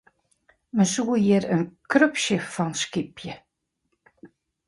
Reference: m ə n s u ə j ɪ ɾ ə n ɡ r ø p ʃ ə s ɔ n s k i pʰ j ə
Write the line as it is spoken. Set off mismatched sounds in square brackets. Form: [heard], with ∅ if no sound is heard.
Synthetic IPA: m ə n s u ə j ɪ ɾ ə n [k] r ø p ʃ ə [f] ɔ n s k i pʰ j ə